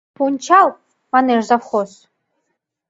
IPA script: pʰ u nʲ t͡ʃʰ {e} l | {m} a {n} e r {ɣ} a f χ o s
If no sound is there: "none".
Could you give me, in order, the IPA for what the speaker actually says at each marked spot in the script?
a, m, n, z

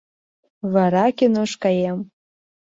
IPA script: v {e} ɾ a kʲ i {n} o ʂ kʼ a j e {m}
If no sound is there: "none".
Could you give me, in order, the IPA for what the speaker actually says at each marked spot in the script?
a, n, m

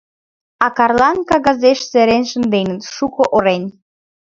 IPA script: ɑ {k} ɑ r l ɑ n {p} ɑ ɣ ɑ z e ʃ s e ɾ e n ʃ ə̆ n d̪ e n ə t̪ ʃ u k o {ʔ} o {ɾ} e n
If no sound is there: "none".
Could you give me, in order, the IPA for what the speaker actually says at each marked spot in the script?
k, k, ʔ, ɾ

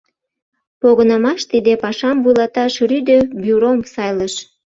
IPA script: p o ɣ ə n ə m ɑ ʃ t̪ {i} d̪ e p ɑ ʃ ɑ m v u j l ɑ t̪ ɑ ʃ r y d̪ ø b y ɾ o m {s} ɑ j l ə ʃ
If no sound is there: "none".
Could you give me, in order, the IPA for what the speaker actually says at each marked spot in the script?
i, s

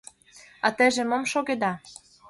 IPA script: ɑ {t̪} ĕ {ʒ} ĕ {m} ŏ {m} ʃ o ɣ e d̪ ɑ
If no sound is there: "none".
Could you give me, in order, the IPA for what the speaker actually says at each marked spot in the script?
t̪, ʒ, m, m

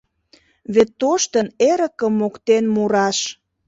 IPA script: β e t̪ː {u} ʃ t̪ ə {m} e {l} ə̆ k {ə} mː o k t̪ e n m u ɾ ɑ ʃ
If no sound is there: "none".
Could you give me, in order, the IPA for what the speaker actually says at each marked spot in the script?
o, n, ɾ, ə

